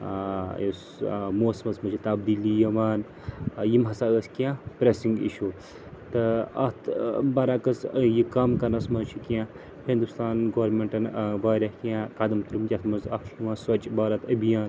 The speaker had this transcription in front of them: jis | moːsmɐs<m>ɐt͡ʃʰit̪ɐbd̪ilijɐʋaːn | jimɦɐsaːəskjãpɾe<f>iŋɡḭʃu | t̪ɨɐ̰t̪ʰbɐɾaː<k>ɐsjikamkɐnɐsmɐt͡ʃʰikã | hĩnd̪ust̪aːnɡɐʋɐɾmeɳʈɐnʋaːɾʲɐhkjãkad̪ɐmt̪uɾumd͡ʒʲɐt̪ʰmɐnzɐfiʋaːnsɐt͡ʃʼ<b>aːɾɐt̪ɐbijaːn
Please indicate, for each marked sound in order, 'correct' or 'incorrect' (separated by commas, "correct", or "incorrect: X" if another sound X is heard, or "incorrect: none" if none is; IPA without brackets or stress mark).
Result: correct, incorrect: s, correct, correct